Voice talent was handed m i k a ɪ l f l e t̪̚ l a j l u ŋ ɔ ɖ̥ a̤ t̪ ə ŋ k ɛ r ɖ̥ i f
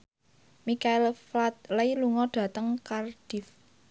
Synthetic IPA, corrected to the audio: m i k a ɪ l f l a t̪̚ l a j l u ŋ ɔ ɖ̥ a̤ t̪ ə ŋ k a r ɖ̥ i f